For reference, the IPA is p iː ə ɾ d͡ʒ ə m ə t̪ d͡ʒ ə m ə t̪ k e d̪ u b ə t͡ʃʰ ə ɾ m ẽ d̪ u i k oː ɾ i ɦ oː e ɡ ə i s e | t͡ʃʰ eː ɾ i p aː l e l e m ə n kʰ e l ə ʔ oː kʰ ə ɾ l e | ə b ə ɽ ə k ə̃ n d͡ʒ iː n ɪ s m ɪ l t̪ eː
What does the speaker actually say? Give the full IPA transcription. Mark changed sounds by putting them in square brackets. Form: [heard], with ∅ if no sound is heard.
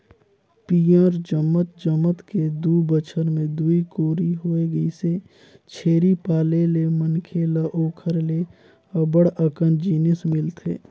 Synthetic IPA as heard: p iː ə ɾ d͡ʒ ə m ə t̪ d͡ʒ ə m ə t̪ k e d̪ u b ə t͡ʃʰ ə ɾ m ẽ d̪ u i k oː ɾ i ɦ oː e ɡ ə i s e | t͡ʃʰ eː ɾ i p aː l e l e m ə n kʰ e l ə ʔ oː kʰ ə ɾ l e | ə b ə ɽ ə k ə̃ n d͡ʒ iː n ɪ s m ɪ l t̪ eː